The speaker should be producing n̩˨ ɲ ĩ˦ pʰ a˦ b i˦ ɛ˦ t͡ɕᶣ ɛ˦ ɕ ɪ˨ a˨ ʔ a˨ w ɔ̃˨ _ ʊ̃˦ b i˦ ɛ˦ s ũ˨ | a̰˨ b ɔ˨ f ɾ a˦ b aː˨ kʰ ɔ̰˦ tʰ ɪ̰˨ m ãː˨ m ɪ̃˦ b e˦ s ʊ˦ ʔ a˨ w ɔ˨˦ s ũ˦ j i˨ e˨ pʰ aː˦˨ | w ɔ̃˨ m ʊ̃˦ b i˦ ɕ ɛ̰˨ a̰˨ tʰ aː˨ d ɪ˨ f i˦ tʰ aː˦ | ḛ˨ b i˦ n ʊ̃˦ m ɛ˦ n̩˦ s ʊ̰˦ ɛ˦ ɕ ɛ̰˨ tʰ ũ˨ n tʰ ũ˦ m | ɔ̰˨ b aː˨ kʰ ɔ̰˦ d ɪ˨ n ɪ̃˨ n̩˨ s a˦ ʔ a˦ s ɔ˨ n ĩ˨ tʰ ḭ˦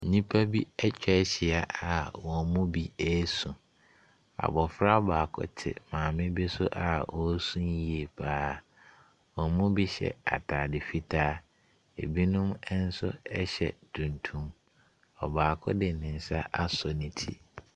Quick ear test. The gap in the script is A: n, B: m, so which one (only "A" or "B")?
B